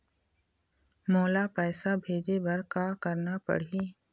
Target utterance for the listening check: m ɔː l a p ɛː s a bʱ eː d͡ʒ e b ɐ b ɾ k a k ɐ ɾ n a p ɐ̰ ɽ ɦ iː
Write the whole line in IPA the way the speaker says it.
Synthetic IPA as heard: m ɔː l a p ɛː s a bʱ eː d͡ʒ e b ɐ ɾ k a k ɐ ɾ n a p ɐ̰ ɽ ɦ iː